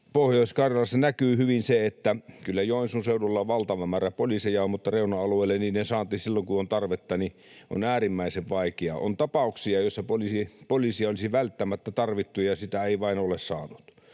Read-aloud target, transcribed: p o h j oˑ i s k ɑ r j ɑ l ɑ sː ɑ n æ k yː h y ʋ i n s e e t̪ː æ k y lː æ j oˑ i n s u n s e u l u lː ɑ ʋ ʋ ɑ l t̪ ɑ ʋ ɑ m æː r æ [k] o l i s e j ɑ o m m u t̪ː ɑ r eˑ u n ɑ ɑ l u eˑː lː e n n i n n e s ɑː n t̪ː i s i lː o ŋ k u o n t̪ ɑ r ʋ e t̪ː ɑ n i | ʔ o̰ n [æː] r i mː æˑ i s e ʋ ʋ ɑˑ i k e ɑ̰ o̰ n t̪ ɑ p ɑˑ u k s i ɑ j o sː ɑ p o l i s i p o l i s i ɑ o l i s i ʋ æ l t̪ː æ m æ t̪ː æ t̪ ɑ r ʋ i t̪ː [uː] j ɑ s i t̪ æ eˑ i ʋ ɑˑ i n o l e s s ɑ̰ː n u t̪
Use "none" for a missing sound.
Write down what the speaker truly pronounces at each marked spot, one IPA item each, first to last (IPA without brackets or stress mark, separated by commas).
p, æː, u